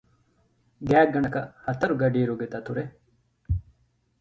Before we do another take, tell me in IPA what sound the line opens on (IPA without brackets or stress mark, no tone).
ɡ